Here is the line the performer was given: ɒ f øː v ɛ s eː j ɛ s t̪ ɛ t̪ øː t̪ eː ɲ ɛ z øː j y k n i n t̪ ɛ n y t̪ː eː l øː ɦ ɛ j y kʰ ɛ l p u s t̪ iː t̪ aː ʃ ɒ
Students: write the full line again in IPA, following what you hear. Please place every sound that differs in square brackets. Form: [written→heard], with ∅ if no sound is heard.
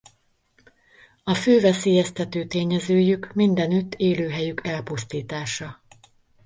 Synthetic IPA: ɒ f øː v ɛ s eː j ɛ s t̪ ɛ t̪ øː t̪ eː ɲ ɛ z øː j y k [n→m] i n [t̪→d̪] ɛ n y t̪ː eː l øː ɦ ɛ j y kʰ ɛ l p u s t̪ iː t̪ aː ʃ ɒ